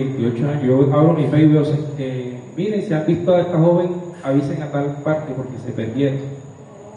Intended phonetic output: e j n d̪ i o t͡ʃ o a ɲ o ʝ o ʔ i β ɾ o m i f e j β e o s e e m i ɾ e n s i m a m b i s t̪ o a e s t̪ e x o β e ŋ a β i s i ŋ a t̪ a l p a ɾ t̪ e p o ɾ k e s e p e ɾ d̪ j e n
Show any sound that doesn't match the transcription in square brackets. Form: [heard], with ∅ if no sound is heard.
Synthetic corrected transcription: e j n [t̪] i o t͡ʃ o a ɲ o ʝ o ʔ [a] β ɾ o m i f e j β e o s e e m i ɾ e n s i [∅] a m b i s t̪ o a e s t̪ [a] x o β e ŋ a β i s [e] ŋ a t̪ a l p a ɾ t̪ e p o ɾ k e s e p e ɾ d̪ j e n